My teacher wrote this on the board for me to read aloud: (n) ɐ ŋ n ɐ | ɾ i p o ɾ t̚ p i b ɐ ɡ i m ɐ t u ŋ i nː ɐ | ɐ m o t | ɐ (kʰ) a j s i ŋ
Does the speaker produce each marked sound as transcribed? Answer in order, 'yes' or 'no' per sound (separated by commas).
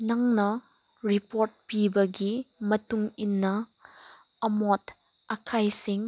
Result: yes, yes